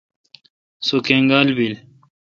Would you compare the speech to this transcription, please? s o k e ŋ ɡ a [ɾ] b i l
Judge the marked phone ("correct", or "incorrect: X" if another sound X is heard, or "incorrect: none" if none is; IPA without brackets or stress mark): incorrect: l